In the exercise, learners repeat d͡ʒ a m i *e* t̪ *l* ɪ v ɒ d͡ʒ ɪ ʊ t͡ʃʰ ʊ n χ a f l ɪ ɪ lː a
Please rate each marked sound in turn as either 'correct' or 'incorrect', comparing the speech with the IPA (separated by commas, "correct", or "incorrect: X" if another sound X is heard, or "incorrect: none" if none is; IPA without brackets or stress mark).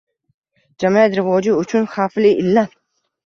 incorrect: a, incorrect: ɾ